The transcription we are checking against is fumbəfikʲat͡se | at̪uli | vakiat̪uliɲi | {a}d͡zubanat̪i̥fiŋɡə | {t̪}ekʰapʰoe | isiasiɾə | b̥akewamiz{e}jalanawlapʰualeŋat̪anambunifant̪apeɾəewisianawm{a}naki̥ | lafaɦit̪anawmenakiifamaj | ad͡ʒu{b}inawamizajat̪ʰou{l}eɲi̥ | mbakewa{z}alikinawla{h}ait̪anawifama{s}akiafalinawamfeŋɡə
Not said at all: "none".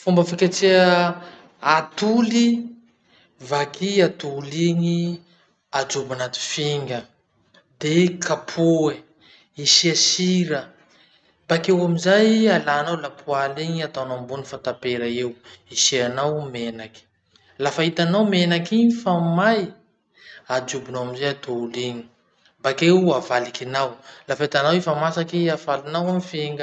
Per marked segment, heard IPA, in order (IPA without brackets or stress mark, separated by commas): a, d̪, a, e, b, l, v, f, s